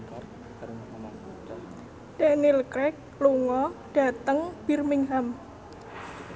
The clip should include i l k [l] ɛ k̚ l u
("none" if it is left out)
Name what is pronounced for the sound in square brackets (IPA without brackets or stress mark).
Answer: ɾ